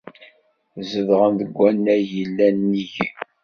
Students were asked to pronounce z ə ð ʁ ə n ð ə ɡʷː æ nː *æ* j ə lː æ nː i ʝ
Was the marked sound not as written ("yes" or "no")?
no